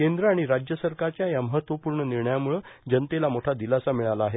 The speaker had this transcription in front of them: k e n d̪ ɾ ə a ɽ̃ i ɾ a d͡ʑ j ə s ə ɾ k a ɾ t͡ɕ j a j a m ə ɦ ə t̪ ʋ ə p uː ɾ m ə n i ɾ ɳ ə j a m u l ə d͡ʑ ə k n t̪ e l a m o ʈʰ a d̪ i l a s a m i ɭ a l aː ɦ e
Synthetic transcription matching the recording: k e n d̪ ɾ ə a ɽ̃ i ɾ a d͡ʑ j ə s ə ɾ k a ɾ t͡ɕ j a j a m ə ɦ ə t̪ ʋ ə p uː ɾ ɳ ə n i ɾ ɳ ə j a m u ɭ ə d͡ʑ ə n t̪ e l a m o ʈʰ a d̪ i l a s a m i ɭ a l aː ɦ e